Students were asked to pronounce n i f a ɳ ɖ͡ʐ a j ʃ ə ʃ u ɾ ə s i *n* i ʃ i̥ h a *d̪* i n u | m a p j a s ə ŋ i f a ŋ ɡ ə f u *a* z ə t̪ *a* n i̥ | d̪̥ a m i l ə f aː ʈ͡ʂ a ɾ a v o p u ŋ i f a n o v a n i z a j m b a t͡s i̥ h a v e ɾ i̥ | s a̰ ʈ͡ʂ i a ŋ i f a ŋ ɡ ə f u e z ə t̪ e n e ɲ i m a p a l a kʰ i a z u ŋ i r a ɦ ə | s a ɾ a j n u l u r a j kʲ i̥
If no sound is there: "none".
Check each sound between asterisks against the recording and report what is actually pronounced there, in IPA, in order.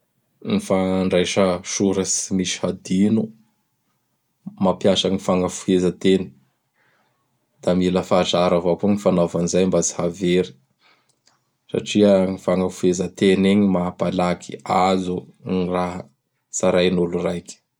m, d̪, e, e

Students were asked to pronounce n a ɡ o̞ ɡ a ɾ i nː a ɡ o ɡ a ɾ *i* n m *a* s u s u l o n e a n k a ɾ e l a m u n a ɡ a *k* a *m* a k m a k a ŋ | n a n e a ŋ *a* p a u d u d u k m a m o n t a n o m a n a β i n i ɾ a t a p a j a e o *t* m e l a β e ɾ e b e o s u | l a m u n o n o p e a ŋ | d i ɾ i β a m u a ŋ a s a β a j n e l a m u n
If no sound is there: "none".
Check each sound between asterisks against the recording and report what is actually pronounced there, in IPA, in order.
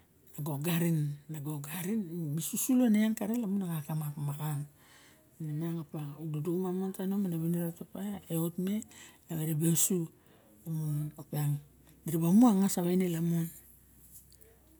i, i, k, m, a, t

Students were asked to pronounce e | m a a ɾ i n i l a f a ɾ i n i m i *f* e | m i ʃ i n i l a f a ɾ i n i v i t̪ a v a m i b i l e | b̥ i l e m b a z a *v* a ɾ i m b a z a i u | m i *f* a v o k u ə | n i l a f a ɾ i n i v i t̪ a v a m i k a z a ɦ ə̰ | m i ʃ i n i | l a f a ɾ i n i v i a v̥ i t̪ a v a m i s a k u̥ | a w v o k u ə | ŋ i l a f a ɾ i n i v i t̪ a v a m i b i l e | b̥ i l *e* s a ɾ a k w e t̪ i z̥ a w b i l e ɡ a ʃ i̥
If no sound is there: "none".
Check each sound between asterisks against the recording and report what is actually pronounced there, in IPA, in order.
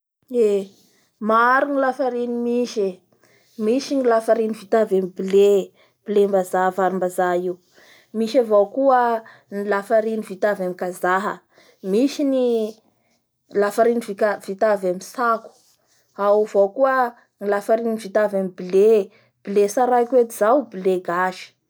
ʃ, v, ʃ, e

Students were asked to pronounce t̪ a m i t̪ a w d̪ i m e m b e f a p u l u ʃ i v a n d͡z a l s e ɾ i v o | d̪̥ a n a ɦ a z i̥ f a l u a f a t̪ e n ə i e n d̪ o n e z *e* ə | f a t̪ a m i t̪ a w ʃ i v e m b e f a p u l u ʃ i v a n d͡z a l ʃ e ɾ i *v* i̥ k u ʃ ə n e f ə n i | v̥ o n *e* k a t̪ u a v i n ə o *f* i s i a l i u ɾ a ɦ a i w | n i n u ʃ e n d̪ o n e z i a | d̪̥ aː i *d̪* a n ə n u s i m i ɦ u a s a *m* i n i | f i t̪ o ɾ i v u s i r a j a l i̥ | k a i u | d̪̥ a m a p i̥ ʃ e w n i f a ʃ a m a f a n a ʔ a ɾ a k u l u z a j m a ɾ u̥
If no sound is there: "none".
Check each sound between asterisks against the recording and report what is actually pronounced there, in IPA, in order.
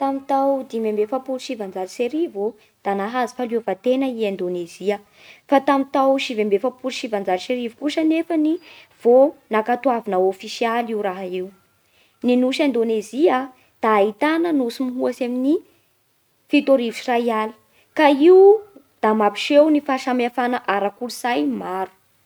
i, v, a, f, t̪, m

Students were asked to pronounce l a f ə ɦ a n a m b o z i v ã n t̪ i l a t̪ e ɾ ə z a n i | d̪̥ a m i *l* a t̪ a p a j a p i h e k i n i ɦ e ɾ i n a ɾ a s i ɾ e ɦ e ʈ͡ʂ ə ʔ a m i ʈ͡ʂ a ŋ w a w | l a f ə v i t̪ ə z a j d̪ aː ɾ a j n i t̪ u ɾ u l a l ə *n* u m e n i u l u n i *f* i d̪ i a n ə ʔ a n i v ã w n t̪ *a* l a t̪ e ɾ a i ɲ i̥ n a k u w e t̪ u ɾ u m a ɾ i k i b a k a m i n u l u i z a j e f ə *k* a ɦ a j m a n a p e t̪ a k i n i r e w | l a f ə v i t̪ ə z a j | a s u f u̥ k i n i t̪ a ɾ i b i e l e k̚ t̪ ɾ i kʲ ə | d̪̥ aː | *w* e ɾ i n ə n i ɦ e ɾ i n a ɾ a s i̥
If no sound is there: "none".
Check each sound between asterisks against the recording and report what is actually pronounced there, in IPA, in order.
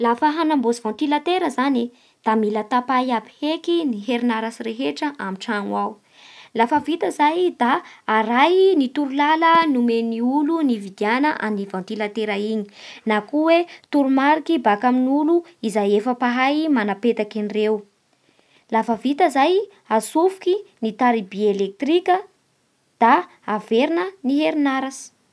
l, n, v, i, p, v

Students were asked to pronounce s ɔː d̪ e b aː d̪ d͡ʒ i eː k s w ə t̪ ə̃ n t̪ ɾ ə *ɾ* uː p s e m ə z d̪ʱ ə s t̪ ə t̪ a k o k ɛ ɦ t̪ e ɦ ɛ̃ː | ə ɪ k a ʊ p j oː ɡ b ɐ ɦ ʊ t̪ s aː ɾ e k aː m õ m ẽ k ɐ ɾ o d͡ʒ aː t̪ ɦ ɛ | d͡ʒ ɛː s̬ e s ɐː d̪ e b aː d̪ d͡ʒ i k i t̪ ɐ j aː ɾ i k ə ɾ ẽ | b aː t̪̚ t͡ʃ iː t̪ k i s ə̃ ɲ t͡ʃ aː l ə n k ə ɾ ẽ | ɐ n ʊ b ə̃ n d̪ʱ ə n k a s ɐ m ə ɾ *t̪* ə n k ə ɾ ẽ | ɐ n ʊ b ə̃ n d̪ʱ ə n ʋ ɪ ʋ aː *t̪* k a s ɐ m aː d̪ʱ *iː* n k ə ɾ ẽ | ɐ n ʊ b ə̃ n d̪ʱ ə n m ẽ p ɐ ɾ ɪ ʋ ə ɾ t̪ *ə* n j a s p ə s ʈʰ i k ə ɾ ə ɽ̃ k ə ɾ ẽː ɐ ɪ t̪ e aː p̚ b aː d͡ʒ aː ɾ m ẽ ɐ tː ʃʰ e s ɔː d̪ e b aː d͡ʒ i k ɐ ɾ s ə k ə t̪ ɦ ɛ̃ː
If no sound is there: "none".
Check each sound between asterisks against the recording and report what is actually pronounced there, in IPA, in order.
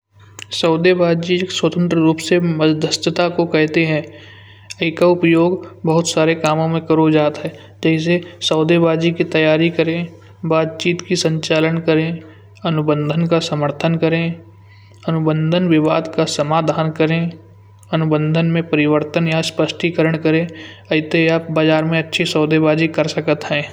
ɾ, t̪ʰ, d̪, aː, ə

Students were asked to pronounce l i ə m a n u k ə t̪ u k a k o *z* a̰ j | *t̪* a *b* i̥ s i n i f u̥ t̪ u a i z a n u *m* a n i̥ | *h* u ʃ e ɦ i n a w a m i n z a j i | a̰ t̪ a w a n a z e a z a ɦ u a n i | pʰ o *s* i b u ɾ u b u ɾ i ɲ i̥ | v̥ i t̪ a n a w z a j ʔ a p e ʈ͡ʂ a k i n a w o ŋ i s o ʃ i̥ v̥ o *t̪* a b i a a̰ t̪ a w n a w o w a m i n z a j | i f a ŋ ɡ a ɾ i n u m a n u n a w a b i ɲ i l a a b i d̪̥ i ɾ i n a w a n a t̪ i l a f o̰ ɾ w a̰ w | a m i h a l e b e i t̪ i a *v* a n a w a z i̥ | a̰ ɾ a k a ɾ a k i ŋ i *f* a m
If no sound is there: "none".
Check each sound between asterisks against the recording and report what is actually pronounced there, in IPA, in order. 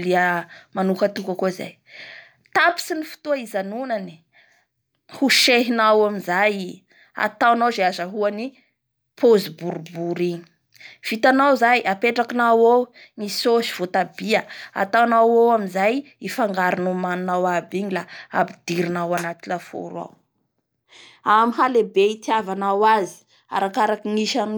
z, t̪, p, n, h, z, t̪, v, ʃ

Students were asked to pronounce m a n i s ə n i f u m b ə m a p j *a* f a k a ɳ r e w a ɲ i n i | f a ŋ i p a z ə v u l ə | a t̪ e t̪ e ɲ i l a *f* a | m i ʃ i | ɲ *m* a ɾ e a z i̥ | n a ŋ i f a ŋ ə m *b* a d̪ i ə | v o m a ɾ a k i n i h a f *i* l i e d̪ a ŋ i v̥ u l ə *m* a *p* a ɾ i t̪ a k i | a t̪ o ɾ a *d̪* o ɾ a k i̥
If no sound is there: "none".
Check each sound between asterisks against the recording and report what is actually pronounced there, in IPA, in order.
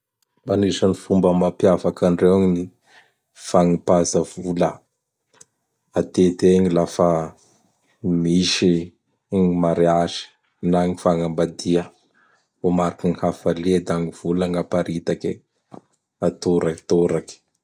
a, f, m, b, a, ŋ, p, t̪

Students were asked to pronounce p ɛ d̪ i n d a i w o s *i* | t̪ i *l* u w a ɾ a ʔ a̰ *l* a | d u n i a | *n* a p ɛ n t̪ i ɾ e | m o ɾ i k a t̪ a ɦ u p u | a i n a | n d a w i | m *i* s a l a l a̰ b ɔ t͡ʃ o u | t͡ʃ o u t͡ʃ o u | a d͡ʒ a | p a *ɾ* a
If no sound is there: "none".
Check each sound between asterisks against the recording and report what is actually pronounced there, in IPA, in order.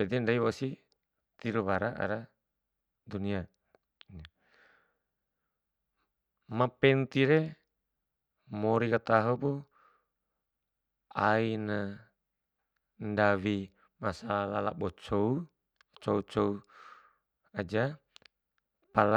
i, ɾ, ɾ, m, a, l

